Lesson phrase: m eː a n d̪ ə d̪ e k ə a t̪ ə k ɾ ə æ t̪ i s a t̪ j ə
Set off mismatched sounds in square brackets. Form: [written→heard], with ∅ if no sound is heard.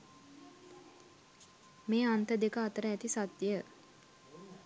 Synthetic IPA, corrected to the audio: m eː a n [d̪→t̪] ə d̪ e k ə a t̪ ə [k→∅] ɾ ə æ t̪ i s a t̪ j ə